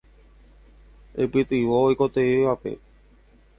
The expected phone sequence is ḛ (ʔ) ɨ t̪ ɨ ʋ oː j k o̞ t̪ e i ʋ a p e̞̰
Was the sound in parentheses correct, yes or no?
no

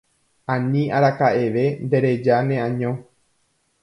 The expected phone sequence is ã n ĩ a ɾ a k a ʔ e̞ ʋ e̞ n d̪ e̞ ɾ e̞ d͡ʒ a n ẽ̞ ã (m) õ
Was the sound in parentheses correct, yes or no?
no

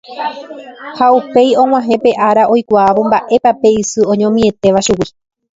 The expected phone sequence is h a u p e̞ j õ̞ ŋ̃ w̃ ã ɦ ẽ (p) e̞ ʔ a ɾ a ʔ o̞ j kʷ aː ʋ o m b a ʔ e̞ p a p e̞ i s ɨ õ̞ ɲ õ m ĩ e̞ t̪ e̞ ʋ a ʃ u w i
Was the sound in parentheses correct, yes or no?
yes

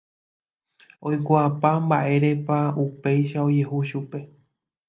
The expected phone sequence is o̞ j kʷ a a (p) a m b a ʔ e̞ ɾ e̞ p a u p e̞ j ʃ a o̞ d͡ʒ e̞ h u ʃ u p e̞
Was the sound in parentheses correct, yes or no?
yes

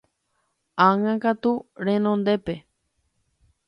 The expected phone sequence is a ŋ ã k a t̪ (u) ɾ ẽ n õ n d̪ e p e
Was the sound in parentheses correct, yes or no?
yes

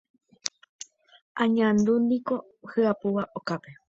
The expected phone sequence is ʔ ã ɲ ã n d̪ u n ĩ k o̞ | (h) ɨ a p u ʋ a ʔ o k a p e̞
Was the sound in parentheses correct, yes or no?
yes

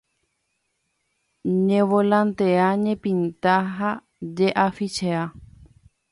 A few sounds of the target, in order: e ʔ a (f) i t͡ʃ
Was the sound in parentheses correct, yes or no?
yes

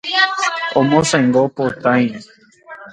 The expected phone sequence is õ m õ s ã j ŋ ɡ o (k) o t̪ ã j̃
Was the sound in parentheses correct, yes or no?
no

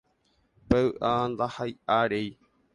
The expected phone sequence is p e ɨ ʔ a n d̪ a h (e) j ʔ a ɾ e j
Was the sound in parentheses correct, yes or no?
no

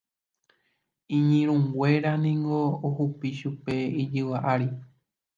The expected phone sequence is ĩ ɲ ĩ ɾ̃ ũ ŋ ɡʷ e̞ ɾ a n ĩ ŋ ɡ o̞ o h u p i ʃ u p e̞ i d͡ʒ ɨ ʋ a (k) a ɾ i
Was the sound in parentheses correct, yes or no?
no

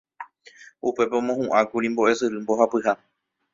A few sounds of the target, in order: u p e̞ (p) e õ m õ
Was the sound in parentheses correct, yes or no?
yes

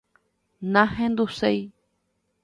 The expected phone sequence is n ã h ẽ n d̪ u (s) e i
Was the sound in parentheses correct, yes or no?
yes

